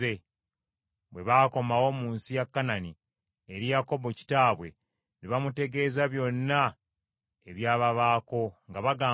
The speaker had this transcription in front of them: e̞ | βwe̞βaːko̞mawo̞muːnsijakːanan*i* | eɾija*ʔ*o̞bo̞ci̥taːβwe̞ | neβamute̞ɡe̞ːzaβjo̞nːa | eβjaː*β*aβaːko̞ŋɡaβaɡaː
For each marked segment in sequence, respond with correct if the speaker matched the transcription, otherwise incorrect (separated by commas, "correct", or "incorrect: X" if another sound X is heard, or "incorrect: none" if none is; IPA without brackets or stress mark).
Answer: correct, incorrect: k, correct